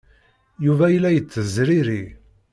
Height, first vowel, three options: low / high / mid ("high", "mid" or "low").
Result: high